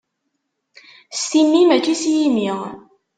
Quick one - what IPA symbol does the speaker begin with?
s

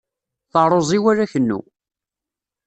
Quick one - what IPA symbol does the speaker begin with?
θ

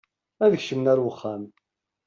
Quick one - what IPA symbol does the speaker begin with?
æ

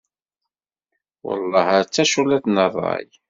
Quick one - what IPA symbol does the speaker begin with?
w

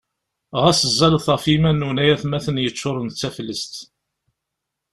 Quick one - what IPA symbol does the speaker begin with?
ʁ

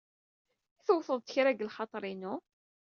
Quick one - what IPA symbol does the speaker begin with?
θ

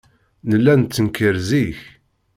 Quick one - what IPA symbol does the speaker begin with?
n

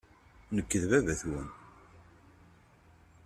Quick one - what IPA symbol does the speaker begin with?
n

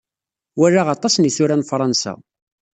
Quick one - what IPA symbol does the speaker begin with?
w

